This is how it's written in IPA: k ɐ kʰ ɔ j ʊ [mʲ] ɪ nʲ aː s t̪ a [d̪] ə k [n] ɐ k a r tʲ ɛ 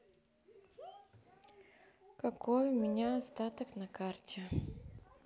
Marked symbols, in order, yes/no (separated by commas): yes, no, yes